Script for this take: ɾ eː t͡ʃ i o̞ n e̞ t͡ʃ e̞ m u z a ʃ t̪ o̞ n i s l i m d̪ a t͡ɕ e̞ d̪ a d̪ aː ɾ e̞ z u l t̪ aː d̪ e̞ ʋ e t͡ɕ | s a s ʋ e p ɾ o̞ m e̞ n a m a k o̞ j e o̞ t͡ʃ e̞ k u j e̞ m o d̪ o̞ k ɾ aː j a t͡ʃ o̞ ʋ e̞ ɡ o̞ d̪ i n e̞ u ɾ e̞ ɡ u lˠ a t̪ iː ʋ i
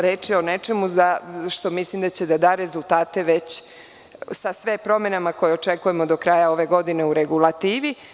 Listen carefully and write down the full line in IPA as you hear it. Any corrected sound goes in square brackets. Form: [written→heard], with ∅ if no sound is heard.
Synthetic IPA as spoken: ɾ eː t͡ʃ i o̞ n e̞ t͡ʃ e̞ m u z a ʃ t̪ o̞ [n→m] i s l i m d̪ a t͡ɕ e̞ d̪ a d̪ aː ɾ e̞ z u l t̪ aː [d̪→t̪] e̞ ʋ e t͡ɕ | s a s ʋ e p ɾ o̞ m e̞ n a m a k o̞ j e o̞ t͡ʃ e̞ k u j e̞ m o d̪ o̞ k ɾ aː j a [t͡ʃ→∅] o̞ ʋ e̞ ɡ o̞ d̪ i n e̞ u ɾ e̞ ɡ u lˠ a t̪ iː ʋ i